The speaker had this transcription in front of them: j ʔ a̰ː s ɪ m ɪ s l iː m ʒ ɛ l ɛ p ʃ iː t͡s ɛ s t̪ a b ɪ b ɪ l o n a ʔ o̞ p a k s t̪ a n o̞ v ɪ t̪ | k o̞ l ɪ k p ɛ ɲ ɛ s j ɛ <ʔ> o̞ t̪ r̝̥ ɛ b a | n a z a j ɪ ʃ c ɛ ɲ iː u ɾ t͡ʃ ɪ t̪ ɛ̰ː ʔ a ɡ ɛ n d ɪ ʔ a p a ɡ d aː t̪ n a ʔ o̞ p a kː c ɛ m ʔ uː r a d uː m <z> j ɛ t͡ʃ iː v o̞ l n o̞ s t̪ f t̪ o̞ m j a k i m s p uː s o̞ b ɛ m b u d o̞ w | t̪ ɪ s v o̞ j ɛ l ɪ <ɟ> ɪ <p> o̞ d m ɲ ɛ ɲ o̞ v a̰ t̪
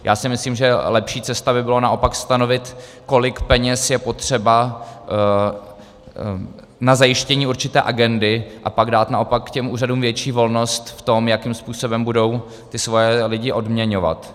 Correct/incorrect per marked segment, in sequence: incorrect, incorrect, correct, incorrect

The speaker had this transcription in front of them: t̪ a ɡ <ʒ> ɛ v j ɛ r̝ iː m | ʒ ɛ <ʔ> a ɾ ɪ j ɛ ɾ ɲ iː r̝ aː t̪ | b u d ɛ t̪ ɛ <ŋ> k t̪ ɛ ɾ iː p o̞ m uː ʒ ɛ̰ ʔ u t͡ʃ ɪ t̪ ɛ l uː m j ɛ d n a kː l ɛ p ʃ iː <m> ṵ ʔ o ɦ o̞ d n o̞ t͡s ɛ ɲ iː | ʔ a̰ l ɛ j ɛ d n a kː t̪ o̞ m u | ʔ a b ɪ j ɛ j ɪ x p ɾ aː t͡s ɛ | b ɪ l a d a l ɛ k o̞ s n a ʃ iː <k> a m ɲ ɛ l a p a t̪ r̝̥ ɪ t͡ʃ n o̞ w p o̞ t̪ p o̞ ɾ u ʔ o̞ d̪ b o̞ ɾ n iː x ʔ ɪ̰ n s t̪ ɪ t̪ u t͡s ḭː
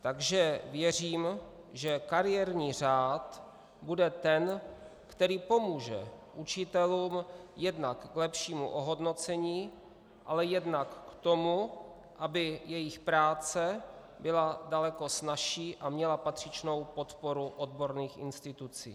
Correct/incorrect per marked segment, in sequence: correct, incorrect, incorrect, correct, incorrect

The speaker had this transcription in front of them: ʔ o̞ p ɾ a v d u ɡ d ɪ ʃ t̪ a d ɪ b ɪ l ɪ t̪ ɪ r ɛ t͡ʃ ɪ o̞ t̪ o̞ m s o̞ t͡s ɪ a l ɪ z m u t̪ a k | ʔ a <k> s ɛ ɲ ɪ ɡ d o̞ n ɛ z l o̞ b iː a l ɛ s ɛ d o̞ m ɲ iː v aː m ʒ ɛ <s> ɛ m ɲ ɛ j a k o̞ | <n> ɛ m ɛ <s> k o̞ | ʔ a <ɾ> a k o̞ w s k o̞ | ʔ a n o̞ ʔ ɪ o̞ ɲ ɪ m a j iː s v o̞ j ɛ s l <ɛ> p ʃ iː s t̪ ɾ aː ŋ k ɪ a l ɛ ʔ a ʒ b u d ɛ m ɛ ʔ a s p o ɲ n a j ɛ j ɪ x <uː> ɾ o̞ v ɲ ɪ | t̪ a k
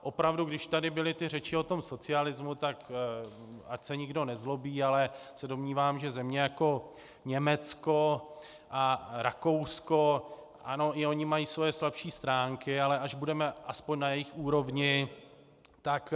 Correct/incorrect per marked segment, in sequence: incorrect, incorrect, incorrect, incorrect, correct, incorrect, correct

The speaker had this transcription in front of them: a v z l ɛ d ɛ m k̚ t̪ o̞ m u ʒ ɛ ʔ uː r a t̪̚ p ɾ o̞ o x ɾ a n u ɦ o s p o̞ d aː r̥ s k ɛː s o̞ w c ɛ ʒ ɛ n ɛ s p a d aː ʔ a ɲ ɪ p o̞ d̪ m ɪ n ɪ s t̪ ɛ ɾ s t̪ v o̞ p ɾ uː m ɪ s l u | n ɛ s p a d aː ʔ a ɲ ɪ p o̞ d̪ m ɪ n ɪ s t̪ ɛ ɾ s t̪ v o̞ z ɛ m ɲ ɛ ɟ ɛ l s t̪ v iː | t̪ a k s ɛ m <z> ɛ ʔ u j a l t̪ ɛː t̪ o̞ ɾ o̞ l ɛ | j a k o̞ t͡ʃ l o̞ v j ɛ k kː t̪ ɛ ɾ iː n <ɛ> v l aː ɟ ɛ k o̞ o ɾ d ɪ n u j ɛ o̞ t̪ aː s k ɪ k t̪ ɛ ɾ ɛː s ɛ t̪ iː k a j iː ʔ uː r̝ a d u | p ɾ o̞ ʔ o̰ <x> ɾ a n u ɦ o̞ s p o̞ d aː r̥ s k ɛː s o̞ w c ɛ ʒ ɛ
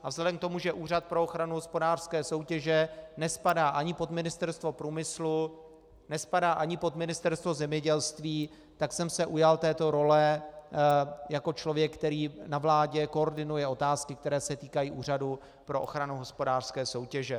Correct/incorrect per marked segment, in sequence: incorrect, incorrect, correct

